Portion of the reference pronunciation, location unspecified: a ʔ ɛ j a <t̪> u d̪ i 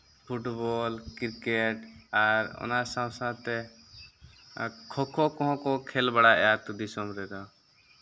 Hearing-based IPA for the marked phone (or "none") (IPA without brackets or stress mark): t̪